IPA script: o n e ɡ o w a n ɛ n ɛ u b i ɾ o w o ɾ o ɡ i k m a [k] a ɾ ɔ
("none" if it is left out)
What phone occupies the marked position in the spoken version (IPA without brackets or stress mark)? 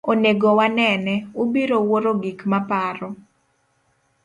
p